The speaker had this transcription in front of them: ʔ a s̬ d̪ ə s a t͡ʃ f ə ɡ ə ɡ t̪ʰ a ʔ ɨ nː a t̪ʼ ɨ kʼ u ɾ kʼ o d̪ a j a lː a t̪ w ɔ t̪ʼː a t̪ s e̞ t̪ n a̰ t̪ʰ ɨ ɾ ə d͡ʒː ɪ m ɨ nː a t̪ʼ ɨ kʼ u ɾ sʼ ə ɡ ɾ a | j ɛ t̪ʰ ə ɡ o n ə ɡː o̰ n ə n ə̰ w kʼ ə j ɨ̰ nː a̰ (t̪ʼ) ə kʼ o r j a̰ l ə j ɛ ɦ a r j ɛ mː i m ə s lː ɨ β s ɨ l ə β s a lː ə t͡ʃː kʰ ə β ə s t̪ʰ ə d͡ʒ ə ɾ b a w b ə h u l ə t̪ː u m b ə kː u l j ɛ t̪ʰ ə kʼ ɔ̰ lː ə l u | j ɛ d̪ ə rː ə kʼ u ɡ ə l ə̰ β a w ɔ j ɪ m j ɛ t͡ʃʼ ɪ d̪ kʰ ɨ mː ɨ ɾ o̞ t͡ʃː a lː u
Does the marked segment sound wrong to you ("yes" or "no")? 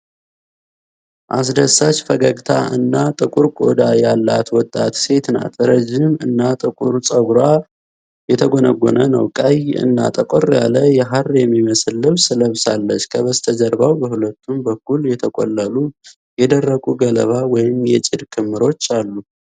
no